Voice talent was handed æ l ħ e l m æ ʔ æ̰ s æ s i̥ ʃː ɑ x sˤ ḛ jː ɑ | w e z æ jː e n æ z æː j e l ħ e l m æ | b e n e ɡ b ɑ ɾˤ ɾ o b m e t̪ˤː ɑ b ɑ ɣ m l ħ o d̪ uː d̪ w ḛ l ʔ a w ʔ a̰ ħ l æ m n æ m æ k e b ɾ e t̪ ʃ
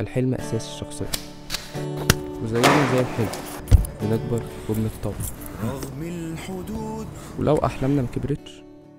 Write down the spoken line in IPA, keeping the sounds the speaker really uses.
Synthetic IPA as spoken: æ l ħ e l m æ ʔ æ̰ s æː s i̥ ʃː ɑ x sˤ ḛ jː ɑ | w e z æ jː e n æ z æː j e l ħ e l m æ | b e n e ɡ b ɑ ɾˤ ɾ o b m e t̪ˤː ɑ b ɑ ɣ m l ħ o d̪ uː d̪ w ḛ l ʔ æ w ʔ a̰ ħ l æ m n æ m æ k e b ɾ e t̪ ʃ